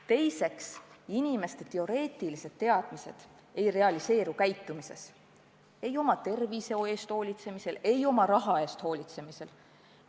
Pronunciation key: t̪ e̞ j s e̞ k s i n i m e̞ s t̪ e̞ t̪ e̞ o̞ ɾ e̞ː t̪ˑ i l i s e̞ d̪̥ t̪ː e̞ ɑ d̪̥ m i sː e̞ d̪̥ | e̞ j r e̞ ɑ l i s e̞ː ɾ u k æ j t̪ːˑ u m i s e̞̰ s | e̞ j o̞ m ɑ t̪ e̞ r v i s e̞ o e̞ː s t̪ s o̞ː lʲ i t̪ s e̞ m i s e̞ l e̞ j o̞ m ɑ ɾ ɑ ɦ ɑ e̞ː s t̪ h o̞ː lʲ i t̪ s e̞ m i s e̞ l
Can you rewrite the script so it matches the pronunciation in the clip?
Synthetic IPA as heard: t̪ e̞ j s e̞ k s i n i m e̞ s t̪ e̞ t̪ e̞ o̞ ɾ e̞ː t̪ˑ i l i s e̞ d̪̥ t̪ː e̞ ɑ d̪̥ m i s e̞ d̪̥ | e̞ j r e̞ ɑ l i s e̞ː ɾ u k æ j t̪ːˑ u m i s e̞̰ s | e̞ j o̞ m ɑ t̪ e̞ r v i s e̞ o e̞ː s t̪ h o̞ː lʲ i t̪ s e̞ m i s e̞ l e̞ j o̞ m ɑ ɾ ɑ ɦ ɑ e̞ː s t̪ h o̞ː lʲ i t̪ s e̞ m i s e̞ l